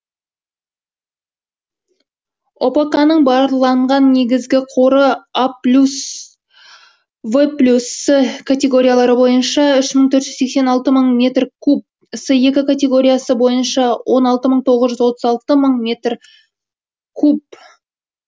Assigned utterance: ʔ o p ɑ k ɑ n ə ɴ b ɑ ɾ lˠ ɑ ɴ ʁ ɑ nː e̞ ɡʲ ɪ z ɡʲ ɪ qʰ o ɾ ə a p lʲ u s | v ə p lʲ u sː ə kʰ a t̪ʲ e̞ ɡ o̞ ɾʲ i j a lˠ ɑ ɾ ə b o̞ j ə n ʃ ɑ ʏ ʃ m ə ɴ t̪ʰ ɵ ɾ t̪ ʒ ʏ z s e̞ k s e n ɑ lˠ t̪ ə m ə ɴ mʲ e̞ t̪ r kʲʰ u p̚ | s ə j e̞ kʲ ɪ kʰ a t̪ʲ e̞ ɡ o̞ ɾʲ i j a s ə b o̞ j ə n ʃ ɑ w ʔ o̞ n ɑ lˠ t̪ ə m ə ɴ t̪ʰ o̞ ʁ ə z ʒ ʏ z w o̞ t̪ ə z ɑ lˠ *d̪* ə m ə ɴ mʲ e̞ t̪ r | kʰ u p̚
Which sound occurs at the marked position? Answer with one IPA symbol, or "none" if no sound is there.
t̪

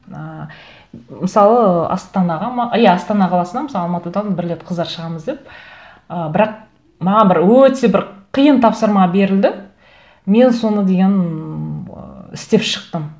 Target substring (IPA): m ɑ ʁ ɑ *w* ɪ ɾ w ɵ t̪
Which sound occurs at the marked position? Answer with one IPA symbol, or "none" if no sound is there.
b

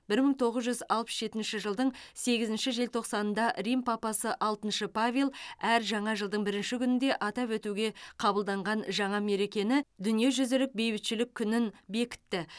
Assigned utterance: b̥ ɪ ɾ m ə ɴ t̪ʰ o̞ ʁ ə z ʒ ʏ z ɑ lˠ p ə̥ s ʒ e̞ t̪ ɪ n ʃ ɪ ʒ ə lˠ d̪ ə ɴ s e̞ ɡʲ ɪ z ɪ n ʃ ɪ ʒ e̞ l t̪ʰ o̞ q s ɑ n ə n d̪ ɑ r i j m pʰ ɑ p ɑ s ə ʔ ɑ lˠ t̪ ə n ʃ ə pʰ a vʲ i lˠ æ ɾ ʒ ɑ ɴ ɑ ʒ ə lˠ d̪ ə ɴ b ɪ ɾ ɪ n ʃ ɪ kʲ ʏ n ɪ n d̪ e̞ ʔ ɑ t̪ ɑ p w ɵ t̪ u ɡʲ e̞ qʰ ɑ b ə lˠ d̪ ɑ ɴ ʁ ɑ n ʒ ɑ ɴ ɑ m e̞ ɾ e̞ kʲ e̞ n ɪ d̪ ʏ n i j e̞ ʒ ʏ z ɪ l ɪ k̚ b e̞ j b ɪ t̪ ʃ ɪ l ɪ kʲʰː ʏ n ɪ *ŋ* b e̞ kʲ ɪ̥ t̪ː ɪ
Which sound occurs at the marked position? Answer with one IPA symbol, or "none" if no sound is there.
n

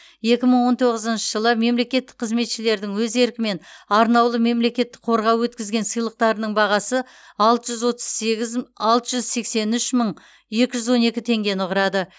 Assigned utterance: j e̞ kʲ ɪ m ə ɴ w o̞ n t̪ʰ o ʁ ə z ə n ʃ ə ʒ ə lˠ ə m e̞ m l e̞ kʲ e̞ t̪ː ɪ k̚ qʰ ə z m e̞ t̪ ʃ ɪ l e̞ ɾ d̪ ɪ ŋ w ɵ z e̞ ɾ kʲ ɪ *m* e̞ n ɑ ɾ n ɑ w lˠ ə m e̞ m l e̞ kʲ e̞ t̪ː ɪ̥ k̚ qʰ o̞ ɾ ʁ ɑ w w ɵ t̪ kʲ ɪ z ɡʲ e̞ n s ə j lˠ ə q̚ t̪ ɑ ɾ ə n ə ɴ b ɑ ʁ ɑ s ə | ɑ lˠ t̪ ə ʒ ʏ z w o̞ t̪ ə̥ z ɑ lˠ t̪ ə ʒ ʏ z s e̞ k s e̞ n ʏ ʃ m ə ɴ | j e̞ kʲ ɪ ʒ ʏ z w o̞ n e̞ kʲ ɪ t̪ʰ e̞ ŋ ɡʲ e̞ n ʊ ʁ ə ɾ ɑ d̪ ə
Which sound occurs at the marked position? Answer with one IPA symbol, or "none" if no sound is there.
m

